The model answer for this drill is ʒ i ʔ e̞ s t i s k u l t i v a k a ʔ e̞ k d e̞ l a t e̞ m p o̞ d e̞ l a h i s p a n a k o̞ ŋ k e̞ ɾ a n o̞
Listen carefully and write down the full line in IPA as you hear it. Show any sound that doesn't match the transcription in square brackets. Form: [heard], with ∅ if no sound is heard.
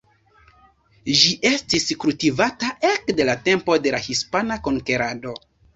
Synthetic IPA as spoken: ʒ i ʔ e̞ s t i s k u l t i v a [t] a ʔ e̞ k d e̞ l a t e̞ m p o̞ d e̞ l a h i s p a n a k o̞ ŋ k e̞ ɾ a [d] o̞